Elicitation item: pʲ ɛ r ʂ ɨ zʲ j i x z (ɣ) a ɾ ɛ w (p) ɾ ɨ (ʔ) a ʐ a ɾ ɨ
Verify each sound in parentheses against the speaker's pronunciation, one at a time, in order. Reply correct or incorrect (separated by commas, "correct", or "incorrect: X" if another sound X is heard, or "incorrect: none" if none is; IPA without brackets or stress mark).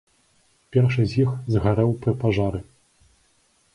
correct, correct, incorrect: p